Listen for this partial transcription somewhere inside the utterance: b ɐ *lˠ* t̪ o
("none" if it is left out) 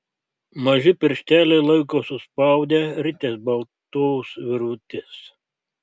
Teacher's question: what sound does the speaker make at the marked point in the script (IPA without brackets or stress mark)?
lˠ